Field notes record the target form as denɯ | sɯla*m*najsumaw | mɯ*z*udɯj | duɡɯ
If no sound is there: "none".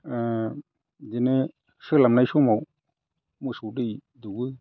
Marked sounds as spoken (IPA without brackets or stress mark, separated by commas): m, s